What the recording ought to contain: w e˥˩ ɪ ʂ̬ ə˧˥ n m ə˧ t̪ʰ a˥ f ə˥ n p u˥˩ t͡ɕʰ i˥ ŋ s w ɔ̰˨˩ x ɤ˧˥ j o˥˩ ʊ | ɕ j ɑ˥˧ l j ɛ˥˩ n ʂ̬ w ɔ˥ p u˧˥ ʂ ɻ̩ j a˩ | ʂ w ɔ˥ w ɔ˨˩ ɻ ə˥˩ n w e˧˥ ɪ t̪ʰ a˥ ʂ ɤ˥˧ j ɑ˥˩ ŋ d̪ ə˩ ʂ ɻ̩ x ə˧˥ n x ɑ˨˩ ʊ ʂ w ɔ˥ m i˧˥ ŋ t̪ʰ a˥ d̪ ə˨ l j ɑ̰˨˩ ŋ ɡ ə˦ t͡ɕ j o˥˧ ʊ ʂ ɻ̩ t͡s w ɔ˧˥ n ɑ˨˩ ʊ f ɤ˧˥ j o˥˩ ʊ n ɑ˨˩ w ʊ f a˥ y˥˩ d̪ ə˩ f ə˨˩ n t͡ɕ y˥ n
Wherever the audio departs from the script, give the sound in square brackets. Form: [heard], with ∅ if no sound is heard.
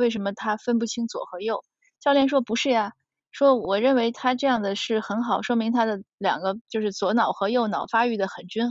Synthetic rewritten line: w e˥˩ ɪ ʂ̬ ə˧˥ n m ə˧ t̪ʰ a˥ f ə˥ n p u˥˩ t͡ɕʰ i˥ ŋ [t͡s] w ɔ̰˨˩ x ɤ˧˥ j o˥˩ ʊ | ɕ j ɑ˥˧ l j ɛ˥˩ n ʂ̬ w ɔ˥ p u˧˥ ʂ ɻ̩ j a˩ | ʂ w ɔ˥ w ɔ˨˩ ɻ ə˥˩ n w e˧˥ ɪ t̪ʰ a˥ [ʈ͡ʂ] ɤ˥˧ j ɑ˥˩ ŋ d̪ ə˩ ʂ ɻ̩ x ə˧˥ n x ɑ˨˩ ʊ ʂ w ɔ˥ m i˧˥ ŋ t̪ʰ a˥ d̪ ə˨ l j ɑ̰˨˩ ŋ ɡ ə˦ t͡ɕ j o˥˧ ʊ ʂ ɻ̩ t͡s w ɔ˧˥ n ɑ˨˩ ʊ [x] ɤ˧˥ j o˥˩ ʊ n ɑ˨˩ [∅] ʊ f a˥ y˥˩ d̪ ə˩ [x] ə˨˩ n t͡ɕ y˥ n